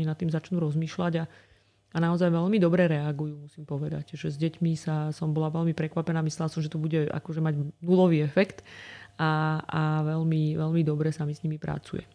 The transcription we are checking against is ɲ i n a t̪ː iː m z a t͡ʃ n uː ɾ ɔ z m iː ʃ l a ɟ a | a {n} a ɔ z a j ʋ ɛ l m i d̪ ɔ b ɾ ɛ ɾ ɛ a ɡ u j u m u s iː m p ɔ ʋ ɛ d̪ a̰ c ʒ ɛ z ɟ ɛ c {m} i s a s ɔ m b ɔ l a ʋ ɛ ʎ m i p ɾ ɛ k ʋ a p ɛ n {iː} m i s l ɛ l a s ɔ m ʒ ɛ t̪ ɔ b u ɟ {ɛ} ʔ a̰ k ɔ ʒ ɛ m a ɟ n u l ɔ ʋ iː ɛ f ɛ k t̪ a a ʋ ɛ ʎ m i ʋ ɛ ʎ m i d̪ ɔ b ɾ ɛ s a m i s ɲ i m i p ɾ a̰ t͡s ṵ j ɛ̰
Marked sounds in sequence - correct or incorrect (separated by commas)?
correct, correct, incorrect, correct